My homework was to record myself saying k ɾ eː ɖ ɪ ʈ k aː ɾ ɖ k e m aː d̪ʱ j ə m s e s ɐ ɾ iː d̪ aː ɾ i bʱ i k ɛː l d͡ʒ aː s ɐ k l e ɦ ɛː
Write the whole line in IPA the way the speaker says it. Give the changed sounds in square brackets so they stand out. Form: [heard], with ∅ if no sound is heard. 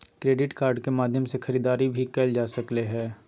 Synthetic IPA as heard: k ɾ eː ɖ ɪ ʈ k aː ɾ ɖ k e m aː d̪ʱ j ə m s e [x] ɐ ɾ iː d̪ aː ɾ i bʱ i k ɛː l d͡ʒ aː s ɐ k l e ɦ ɛː